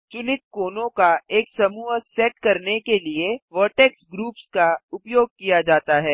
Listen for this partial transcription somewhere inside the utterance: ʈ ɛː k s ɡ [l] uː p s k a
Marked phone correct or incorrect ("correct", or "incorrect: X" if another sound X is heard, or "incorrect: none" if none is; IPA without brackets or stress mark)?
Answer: incorrect: ɾ